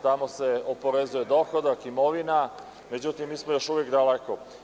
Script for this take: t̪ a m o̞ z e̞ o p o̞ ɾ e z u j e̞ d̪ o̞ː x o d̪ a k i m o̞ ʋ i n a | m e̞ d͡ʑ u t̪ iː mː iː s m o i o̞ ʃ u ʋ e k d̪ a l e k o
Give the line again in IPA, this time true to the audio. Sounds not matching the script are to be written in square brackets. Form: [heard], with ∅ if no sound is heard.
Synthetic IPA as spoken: t̪ a m o̞ [s] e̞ o p o̞ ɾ e z u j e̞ d̪ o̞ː x o d̪ a k i m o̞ ʋ i n a | m e̞ d͡ʑ u t̪ [i] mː iː s m o [j] o̞ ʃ u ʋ e k d̪ a l e k o